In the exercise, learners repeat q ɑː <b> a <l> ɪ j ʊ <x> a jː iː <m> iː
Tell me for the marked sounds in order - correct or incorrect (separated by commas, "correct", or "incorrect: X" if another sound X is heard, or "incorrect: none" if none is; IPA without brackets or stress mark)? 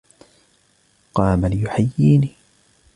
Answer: incorrect: m, correct, incorrect: ħ, incorrect: n